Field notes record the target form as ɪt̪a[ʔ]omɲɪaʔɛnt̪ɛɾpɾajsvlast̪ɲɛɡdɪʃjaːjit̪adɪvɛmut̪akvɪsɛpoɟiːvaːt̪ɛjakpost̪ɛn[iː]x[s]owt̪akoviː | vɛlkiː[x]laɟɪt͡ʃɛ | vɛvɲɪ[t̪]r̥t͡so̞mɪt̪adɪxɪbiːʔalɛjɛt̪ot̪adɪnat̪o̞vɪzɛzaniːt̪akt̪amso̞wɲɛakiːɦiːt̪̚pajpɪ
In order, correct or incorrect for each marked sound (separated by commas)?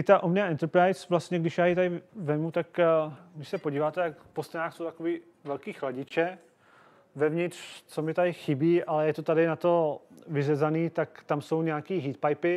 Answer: correct, incorrect, correct, correct, correct